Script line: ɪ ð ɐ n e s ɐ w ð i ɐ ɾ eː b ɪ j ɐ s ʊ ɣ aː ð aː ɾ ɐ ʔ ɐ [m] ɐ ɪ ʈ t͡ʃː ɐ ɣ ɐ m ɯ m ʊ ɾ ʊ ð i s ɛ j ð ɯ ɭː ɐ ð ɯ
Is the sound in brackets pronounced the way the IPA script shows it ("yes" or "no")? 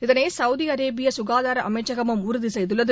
yes